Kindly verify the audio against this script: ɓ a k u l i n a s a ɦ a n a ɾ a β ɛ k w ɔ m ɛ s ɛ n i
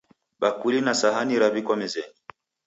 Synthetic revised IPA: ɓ a k u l i n a s a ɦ a n i ɾ a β i k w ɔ m ɛ z ɛ n i